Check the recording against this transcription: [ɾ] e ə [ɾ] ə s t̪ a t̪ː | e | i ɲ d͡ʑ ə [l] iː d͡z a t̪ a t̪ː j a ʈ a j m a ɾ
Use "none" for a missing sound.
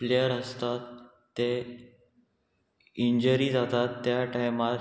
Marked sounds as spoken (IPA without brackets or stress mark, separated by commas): l, ɾ, ɾ